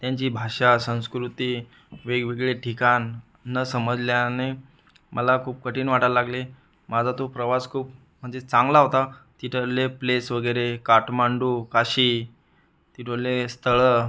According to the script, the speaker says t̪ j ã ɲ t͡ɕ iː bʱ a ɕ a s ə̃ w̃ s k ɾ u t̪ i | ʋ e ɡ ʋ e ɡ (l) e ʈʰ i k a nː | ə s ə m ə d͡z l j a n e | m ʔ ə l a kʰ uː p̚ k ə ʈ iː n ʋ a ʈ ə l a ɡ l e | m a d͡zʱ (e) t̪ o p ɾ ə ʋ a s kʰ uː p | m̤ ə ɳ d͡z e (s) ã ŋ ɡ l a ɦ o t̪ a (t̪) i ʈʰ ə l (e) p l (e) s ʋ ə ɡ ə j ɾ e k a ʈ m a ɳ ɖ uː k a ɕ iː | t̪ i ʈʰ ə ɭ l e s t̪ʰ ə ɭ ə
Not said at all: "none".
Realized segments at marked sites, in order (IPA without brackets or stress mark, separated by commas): ɭ, a, t͡s, t̪, e, e